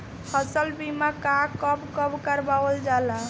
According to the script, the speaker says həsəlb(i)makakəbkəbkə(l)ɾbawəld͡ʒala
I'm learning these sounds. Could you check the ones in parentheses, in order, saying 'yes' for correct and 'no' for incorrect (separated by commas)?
yes, no